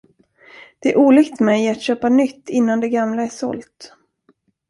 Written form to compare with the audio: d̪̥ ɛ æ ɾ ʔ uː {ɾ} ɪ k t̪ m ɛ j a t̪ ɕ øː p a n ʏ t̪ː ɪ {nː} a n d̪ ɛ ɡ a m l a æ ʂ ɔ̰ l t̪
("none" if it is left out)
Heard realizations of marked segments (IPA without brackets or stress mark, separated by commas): l, nː